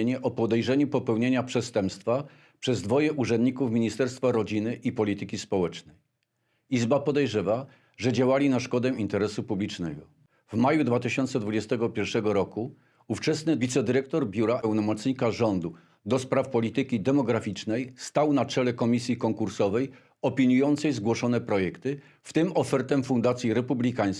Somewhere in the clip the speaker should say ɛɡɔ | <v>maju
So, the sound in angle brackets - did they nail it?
yes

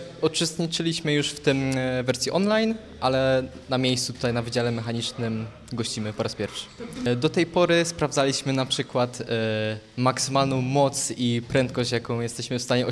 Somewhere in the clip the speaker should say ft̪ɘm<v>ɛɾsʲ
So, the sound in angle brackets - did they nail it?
yes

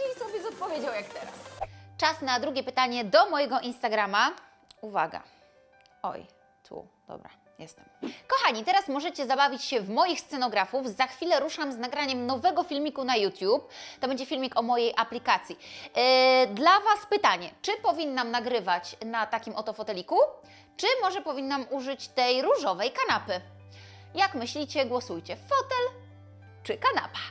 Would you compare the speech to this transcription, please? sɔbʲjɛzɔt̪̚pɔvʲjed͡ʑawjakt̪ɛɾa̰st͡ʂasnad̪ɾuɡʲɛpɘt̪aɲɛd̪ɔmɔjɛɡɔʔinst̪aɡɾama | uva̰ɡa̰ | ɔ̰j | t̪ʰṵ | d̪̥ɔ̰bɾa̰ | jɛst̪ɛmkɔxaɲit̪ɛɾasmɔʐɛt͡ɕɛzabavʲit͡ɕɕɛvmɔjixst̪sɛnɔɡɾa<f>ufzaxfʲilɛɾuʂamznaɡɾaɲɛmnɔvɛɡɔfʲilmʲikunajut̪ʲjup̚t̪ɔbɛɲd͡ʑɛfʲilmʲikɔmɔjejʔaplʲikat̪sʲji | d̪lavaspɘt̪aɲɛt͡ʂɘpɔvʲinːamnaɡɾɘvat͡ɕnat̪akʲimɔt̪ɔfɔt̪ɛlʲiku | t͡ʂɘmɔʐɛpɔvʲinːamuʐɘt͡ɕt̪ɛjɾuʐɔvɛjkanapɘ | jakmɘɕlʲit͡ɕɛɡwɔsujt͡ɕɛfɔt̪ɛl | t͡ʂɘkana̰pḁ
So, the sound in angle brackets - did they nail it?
yes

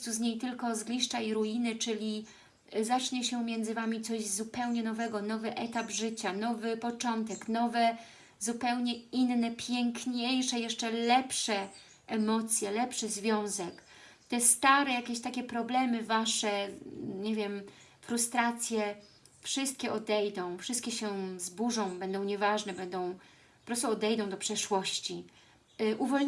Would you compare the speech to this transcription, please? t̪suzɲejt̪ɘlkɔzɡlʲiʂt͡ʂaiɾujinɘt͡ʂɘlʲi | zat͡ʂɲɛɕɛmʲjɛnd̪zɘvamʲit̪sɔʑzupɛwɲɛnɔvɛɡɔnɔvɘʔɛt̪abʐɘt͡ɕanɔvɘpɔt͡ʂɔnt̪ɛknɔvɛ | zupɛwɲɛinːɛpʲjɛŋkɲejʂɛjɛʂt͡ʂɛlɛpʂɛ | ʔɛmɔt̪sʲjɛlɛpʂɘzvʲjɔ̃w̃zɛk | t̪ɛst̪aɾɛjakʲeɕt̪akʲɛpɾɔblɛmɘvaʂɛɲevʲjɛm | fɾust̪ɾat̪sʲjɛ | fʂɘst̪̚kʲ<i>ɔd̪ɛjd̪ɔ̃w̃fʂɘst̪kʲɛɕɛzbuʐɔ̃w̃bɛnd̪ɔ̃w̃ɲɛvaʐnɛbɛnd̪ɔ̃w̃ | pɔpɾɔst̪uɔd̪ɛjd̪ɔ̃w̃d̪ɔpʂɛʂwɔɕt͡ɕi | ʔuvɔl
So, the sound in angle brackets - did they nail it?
no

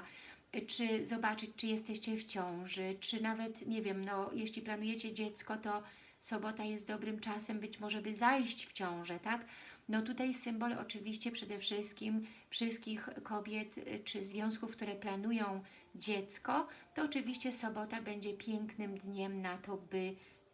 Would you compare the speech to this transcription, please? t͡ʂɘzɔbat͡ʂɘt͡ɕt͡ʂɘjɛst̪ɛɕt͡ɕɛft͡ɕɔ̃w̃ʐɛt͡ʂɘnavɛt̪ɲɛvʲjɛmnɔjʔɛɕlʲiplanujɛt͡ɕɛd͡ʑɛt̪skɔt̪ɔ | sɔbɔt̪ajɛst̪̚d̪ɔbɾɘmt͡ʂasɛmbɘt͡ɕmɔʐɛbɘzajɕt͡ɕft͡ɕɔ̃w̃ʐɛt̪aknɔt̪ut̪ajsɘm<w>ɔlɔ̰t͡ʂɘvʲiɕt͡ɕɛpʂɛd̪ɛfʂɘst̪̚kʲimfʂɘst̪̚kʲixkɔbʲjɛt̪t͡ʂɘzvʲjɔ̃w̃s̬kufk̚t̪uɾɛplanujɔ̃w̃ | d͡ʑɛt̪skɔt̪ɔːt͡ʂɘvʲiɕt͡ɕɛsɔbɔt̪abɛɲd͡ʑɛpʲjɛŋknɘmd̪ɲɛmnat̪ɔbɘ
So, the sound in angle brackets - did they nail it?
no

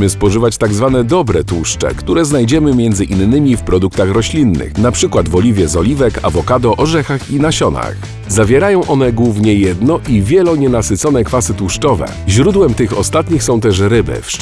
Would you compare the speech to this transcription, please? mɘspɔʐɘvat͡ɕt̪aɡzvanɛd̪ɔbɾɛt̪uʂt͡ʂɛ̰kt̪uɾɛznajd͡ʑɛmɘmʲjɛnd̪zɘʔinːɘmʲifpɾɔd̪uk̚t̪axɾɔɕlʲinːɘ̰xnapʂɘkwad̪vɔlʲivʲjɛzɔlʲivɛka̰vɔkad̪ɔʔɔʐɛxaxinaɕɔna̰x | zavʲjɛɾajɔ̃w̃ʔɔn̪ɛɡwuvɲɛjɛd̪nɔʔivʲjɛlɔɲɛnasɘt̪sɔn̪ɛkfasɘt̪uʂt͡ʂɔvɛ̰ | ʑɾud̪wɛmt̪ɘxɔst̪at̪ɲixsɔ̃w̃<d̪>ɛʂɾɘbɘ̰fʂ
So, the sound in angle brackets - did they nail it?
no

